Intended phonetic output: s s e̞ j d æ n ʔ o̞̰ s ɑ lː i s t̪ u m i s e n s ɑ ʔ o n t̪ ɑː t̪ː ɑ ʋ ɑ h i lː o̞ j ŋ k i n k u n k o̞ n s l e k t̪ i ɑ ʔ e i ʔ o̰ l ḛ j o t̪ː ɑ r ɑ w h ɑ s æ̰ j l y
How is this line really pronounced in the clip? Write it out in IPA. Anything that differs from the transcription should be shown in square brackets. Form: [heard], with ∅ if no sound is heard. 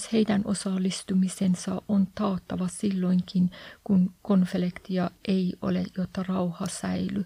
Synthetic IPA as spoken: s [h] e̞ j d æ n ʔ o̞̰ s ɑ lː i s t̪ u m i s e n s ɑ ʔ o n t̪ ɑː t̪ː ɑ ʋ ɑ [s] i lː o̞ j ŋ k i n k u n k o̞ n [f] l e k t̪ i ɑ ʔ e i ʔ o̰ l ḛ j o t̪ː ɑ r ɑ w h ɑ s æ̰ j l y